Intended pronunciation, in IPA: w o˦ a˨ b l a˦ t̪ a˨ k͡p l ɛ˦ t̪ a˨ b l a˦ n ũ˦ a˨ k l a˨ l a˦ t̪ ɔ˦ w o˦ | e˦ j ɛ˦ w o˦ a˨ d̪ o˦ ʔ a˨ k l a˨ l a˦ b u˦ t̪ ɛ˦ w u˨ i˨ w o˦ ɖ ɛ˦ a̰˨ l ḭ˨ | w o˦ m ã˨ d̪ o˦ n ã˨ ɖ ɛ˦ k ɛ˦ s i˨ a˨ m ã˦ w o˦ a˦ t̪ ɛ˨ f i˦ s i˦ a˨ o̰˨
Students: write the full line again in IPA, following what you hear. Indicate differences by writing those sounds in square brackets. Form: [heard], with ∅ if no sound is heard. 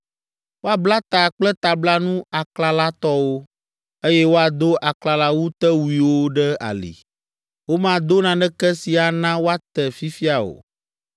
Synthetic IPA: w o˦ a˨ b l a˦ t̪ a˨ k͡p l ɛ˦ t̪ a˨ b l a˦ n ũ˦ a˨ k l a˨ l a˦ t̪ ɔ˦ w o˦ | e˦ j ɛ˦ w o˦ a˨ d̪ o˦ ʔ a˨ k l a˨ l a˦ [w] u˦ t̪ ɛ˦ w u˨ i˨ w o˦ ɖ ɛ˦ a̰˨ l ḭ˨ | w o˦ m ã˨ d̪ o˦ n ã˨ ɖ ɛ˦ k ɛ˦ s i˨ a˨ [n] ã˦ w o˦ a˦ t̪ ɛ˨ f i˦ [f] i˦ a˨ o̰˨

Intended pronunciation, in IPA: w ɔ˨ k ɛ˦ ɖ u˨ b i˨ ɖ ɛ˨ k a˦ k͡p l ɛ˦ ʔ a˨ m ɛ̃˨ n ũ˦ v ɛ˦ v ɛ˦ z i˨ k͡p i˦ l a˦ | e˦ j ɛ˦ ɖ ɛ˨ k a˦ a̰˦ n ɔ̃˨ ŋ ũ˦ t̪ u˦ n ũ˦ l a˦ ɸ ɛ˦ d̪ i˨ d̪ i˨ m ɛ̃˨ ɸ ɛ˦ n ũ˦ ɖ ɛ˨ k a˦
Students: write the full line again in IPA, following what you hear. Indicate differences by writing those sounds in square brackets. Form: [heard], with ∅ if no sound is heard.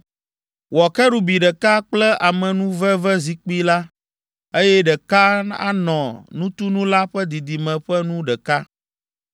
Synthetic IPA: w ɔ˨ k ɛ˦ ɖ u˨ b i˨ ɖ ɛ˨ k a˦ k͡p l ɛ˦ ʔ a˨ m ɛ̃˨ n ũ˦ v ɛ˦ v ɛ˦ z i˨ k͡p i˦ l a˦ | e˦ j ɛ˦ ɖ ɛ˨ k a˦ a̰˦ n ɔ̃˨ [n] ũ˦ t̪ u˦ n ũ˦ l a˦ ɸ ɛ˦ d̪ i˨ d̪ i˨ m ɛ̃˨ ɸ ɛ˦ n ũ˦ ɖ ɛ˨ k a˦

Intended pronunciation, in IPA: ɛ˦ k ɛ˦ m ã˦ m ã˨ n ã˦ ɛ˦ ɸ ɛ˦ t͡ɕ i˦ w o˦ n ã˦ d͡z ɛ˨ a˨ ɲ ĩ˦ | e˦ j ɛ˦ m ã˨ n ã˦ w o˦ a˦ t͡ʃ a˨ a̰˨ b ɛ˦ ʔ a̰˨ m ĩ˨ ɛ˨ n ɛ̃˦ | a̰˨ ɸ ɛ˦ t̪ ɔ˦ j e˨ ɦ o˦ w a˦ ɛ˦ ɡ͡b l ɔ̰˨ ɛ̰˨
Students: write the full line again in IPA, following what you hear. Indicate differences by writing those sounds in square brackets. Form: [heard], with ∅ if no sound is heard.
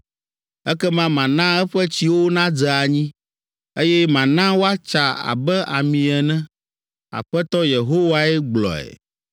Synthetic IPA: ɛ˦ k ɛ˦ m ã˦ m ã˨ n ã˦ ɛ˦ ɸ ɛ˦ t͡ɕ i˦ w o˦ n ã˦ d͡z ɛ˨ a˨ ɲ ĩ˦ | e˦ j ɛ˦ m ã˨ n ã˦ w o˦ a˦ t͡ʃ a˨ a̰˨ b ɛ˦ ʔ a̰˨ m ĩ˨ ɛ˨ n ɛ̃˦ | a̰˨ ɸ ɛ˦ t̪ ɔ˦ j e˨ ɦ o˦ w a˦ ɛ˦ ɡ͡b l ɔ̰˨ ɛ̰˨

